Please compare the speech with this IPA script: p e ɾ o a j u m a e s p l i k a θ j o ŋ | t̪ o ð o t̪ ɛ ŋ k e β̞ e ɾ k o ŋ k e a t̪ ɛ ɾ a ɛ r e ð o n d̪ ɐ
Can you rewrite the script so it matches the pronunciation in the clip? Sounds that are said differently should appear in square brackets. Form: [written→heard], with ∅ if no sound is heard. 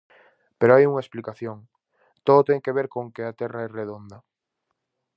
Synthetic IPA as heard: p e ɾ o a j u [m→ŋ] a e s p l i k a θ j o ŋ | t̪ o ð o t̪ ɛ ŋ k e β̞ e ɾ k o ŋ k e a t̪ ɛ [ɾ→r] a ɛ r e ð o n d̪ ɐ